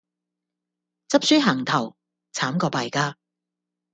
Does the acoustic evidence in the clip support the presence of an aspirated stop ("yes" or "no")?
yes